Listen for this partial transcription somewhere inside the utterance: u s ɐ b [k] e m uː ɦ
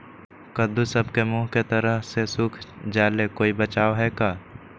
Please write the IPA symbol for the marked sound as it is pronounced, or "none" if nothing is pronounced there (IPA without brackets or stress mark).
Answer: k